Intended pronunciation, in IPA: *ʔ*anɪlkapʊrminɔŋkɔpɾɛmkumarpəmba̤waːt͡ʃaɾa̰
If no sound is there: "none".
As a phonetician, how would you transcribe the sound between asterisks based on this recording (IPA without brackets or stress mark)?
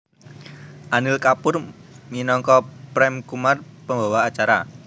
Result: ʔ